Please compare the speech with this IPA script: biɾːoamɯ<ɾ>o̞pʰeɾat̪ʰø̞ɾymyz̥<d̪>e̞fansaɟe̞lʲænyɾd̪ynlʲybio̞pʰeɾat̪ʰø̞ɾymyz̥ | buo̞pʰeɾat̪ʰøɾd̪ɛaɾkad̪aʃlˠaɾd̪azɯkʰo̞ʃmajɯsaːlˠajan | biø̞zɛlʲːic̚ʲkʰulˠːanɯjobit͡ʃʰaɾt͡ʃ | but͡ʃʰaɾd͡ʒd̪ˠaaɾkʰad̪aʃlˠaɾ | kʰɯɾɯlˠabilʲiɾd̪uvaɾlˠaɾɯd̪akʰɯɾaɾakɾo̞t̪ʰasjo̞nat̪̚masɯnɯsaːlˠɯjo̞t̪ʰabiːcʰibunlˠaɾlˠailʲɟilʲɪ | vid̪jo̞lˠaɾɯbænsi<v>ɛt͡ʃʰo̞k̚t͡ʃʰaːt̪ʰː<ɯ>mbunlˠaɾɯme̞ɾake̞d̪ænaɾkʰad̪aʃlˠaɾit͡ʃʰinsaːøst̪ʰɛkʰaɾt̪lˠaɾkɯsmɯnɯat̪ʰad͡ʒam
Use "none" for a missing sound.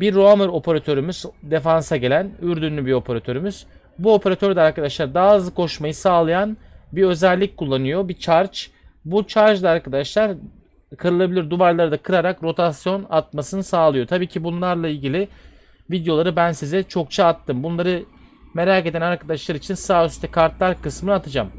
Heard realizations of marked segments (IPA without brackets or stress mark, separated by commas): ɾ, d̪, z, ɯ